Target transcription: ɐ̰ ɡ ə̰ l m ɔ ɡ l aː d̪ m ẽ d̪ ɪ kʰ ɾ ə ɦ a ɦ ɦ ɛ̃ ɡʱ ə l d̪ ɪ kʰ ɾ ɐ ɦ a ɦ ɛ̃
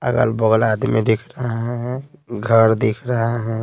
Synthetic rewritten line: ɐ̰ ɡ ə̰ l b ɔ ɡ l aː d̪ m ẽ d̪ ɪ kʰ ɾ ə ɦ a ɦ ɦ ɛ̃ ɡʱ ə ɾ d̪ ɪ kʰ ɾ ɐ ɦ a ɦ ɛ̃